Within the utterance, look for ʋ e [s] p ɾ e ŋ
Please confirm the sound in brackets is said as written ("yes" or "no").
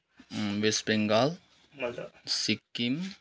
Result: yes